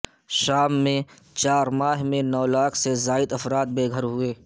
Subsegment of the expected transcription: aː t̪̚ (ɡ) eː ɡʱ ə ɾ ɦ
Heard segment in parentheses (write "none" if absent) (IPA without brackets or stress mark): b